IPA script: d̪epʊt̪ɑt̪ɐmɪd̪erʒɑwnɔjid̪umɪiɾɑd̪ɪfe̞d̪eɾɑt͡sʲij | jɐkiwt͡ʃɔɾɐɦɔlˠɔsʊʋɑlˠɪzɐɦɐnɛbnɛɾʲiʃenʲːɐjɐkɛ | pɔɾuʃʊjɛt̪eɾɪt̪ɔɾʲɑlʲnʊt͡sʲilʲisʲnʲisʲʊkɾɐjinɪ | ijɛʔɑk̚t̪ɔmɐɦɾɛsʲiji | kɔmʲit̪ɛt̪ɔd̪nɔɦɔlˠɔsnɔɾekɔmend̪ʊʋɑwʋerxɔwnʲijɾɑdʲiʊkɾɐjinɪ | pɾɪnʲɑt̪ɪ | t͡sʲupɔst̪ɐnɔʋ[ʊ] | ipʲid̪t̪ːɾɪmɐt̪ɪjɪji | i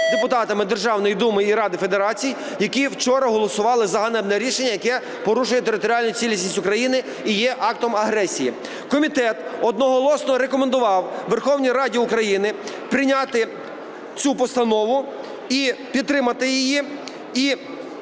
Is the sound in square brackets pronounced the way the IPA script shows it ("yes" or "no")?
yes